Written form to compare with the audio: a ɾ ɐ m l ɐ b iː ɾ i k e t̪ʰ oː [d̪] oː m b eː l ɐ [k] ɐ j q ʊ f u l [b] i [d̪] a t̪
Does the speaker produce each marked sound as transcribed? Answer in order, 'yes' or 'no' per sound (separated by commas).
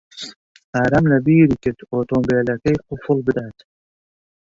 no, yes, yes, yes